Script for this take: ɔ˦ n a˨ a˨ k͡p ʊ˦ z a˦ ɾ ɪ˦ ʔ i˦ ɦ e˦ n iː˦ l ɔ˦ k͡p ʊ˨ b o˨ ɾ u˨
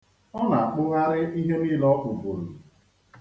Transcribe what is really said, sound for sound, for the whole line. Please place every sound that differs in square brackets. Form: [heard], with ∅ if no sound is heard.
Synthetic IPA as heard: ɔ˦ n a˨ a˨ k͡p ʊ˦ [ɣ] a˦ ɾ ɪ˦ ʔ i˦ ɦ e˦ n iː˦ l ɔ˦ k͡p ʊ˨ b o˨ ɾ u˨